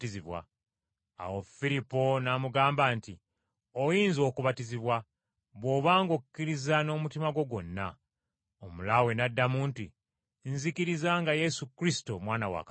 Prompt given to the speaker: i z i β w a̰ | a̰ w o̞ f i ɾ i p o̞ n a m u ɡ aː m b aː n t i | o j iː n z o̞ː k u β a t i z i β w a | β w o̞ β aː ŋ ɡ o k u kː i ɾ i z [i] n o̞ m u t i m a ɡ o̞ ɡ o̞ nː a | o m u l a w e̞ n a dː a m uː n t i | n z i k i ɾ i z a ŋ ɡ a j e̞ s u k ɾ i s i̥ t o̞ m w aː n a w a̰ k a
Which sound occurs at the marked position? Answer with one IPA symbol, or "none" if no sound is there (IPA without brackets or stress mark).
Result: a